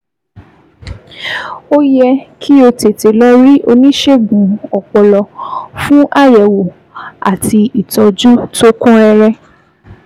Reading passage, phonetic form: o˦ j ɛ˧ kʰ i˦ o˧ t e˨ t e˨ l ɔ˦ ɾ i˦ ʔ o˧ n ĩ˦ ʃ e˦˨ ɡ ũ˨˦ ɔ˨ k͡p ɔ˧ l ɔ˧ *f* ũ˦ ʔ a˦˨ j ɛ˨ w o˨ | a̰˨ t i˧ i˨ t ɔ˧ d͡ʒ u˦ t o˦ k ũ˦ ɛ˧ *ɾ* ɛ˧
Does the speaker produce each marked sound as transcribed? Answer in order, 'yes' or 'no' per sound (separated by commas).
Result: yes, yes